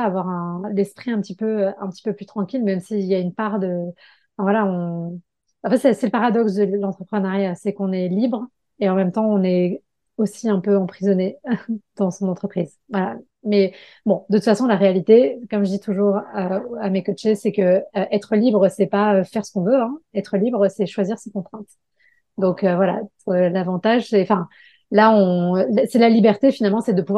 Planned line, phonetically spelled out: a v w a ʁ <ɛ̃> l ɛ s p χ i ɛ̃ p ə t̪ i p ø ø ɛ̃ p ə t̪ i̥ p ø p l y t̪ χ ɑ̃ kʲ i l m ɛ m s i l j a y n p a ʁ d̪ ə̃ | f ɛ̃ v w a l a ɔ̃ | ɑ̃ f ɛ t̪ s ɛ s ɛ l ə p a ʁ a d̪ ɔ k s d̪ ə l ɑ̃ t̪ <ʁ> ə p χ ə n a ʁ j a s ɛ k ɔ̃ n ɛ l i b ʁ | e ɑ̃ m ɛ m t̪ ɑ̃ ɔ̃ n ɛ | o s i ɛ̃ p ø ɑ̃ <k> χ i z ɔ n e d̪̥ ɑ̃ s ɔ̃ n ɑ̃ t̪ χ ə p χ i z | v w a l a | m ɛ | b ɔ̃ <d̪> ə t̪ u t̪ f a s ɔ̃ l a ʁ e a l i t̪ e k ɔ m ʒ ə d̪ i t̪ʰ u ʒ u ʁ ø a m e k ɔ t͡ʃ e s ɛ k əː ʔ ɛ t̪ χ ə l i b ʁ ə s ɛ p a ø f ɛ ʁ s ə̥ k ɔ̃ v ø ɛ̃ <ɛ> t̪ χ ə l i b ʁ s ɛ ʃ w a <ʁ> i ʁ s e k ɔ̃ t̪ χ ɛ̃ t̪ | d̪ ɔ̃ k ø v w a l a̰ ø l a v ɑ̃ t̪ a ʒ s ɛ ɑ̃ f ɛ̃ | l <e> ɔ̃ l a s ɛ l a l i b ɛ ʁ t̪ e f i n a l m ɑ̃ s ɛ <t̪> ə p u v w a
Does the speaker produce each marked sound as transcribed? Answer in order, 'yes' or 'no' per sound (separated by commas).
yes, no, no, yes, yes, no, no, no